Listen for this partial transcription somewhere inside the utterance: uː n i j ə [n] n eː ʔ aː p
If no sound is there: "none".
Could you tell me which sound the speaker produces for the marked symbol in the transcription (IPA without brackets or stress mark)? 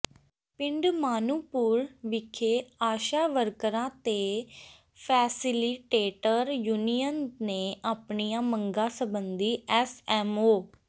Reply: n